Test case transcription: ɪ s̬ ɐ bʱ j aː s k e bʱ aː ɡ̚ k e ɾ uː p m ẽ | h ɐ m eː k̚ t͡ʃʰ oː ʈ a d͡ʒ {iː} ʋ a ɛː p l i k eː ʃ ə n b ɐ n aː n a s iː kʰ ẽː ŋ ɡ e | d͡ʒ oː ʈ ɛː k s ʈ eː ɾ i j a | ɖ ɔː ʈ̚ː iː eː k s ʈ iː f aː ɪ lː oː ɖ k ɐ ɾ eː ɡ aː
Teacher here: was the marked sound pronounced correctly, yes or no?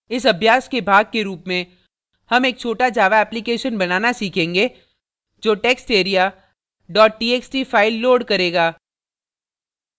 no